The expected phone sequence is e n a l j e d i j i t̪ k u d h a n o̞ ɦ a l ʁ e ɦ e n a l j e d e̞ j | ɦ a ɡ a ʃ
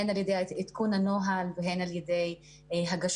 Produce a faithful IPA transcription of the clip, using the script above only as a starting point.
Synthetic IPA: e n a l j e d e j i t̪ k u n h a n o̞ ɦ a l v e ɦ e n a l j e d e̞ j | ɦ a ɡ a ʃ